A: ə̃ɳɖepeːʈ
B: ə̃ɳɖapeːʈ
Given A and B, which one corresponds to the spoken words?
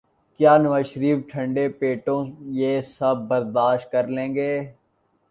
A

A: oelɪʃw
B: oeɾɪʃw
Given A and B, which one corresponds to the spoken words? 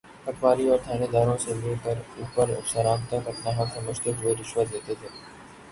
B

